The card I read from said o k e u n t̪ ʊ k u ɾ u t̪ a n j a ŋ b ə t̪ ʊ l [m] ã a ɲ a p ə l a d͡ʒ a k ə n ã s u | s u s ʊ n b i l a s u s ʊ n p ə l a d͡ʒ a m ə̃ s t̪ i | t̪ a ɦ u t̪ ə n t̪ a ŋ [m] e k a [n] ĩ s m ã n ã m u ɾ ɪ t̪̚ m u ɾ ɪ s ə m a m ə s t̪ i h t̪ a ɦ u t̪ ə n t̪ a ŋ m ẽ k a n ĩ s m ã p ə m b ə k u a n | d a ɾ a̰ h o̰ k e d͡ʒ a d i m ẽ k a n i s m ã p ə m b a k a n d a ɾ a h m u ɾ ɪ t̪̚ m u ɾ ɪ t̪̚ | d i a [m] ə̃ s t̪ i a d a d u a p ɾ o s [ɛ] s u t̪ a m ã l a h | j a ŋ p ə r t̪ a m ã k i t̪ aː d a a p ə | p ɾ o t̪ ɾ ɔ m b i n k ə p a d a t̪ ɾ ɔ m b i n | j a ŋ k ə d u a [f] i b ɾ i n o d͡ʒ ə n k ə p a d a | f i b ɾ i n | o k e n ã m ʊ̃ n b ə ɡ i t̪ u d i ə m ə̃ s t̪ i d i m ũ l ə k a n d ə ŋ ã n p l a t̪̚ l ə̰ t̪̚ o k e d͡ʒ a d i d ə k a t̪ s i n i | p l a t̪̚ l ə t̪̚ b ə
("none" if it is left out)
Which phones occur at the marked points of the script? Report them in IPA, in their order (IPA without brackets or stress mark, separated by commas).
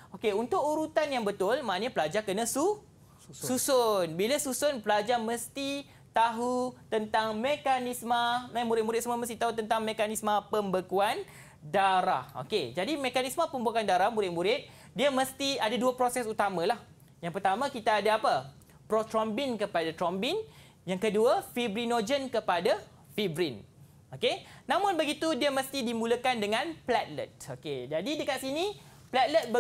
m, m, n, m, ɛ, f